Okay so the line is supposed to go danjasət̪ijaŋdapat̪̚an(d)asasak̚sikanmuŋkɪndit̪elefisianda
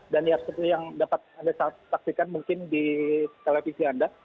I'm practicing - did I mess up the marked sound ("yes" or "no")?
no